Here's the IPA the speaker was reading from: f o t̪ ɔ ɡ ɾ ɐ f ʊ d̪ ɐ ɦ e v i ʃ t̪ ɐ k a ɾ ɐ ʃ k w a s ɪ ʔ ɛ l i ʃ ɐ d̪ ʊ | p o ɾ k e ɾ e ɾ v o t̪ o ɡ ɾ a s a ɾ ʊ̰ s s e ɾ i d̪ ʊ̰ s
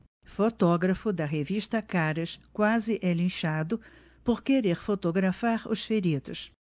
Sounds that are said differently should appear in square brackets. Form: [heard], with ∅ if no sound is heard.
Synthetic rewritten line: f o t̪ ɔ ɡ ɾ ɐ f ʊ d̪ ɐ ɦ e v i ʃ t̪ ɐ k a ɾ ɐ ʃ k w a [z] ɪ ʔ ɛ l [ĩ] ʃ [a] d̪ ʊ | p o ɾ k e ɾ e ɾ [f] o t̪ o ɡ ɾ a [f] a ɾ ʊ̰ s [f] e ɾ i d̪ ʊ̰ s

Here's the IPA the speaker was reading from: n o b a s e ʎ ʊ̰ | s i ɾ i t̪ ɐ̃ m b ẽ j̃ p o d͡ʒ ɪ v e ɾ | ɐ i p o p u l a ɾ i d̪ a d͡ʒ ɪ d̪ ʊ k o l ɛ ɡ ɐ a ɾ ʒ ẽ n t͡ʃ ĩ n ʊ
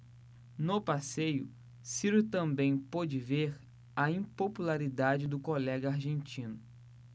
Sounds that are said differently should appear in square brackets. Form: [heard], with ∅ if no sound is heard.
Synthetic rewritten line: n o [p] a s e [j] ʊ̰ | s i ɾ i t̪ ɐ̃ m b ẽ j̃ p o d͡ʒ ɪ v e ɾ | ɐ [ĩ] p o p u l a ɾ i d̪ a d͡ʒ ɪ d̪ ʊ k o l ɛ ɡ ɐ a ɾ ʒ ẽ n t͡ʃ ĩ n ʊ

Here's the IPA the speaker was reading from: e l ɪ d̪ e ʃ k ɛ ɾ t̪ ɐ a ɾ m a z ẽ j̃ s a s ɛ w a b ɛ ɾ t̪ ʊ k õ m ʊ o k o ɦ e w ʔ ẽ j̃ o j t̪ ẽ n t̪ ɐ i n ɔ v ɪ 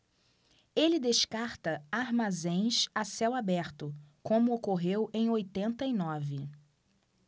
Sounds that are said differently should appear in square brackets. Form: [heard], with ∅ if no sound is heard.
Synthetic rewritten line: e l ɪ d̪ e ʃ k [a] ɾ t̪ ɐ a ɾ m a z ẽ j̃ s a s ɛ w a b ɛ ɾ t̪ ʊ k õ m ʊ o k o ɦ e w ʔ ẽ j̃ o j t̪ ẽ n t̪ ɐ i n ɔ v ɪ

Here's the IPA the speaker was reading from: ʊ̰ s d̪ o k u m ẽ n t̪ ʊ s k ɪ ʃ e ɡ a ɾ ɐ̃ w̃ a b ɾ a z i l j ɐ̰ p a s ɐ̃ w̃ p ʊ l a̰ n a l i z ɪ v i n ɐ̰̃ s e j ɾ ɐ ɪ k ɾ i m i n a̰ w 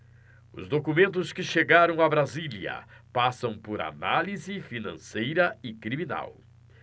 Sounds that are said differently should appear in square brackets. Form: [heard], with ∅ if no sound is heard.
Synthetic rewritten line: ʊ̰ [z] d̪ o k u m ẽ n t̪ ʊ s k ɪ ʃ e ɡ a ɾ ɐ̃ w̃ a b ɾ a z i l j ɐ̰ p a s ɐ̃ w̃ p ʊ [ɾ] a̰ n a l i z ɪ [f] i n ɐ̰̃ s e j ɾ ɐ ɪ k ɾ i m i n a̰ w

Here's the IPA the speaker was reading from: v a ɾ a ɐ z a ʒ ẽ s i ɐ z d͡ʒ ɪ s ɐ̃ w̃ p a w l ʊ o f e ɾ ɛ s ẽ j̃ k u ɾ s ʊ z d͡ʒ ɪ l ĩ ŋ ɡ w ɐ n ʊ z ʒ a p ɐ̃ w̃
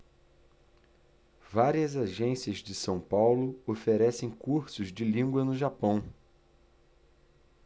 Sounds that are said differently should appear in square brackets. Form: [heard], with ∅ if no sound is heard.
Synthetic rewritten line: v a ɾ [i] ɐ z a ʒ ẽ s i ɐ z d͡ʒ ɪ s ɐ̃ w̃ p a w l ʊ o f e ɾ ɛ s ẽ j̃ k u ɾ s ʊ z d͡ʒ ɪ l ĩ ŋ ɡ w ɐ n ʊ [∅] ʒ a p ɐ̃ w̃

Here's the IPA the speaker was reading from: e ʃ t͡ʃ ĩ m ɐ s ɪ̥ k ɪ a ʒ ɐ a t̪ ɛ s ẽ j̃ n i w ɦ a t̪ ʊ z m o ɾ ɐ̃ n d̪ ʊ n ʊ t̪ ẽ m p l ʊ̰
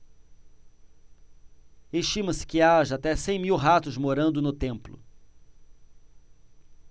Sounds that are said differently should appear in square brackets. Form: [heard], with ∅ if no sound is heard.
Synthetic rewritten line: e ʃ t͡ʃ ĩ m ɐ s ɪ̥ k ɪ a ʒ ɐ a t̪ ɛ s ẽ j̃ [m] i w ɦ a t̪ ʊ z m o ɾ ɐ̃ n d̪ ʊ n ʊ t̪ ẽ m p l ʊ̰

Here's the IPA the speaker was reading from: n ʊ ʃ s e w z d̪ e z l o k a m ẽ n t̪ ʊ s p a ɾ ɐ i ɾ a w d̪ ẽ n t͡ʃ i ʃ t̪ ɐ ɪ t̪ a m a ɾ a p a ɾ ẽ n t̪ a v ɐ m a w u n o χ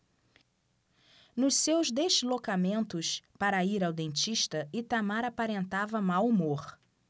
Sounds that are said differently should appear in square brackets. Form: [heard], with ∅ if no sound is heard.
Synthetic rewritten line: n ʊ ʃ s e w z d̪ e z l o k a m ẽ n t̪ ʊ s p a ɾ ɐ i ɾ a w d̪ ẽ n t͡ʃ i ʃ t̪ ɐ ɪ t̪ a m a ɾ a p a ɾ ẽ n t̪ a v ɐ m a w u [m] o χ

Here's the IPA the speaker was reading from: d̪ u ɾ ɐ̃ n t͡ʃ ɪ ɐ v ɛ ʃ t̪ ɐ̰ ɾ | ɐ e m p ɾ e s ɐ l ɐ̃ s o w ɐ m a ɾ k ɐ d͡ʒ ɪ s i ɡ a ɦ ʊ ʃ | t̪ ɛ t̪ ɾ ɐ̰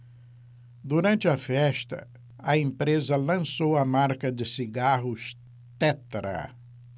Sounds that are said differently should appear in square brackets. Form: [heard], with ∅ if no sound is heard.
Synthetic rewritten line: d̪ u ɾ ɐ̃ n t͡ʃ ɪ ɐ [f] ɛ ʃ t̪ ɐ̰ [∅] | ɐ [ẽ] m p ɾ e [z] ɐ l ɐ̃ s o w ɐ m a ɾ k ɐ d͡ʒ ɪ s i ɡ a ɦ ʊ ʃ | t̪ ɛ t̪ ɾ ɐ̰

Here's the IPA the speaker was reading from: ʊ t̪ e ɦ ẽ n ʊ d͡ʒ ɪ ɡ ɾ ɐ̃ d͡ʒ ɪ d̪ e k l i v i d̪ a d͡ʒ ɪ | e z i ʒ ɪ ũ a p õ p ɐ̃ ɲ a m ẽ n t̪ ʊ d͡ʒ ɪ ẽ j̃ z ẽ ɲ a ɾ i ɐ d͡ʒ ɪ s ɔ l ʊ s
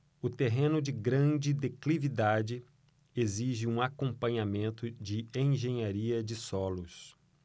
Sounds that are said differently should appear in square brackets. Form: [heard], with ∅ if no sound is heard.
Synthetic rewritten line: ʊ t̪ e ɦ ẽ n ʊ d͡ʒ ɪ ɡ ɾ ɐ̃ d͡ʒ ɪ d̪ e k l i v i d̪ a d͡ʒ ɪ | e z i ʒ ɪ ũ a [k] õ p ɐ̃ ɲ a m ẽ n t̪ ʊ d͡ʒ ɪ ẽ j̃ [ʒ] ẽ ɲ a ɾ i ɐ d͡ʒ ɪ s ɔ l ʊ s

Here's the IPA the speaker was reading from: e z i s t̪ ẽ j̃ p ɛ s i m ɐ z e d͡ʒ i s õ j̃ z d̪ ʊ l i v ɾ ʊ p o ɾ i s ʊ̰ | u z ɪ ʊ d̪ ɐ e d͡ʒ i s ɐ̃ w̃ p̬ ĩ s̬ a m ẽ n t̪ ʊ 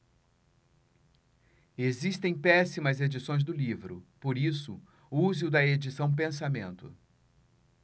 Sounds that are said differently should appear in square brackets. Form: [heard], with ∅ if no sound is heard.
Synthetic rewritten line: e z i s t̪ ẽ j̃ p ɛ s i m ɐ z e d͡ʒ i s õ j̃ z d̪ ʊ l i v ɾ ʊ p o ɾ i s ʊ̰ | u z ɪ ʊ d̪ ɐ e d͡ʒ i s ɐ̃ w̃ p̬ [ẽ] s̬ a m ẽ n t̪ ʊ

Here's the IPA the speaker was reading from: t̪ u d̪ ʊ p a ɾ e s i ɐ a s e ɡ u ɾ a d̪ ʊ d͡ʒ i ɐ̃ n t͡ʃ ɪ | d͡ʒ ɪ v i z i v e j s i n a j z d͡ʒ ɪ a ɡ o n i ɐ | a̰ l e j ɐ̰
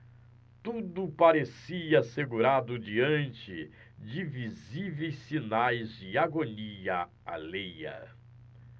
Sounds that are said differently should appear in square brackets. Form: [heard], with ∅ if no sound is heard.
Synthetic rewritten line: t̪ u d̪ ʊ p a ɾ e s i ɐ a s e ɡ u ɾ a d̪ ʊ d͡ʒ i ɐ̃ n t͡ʃ ɪ | d͡ʒ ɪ v i z i v e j s i n a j z d͡ʒ ɪ a ɡ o n i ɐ | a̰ l e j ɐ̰

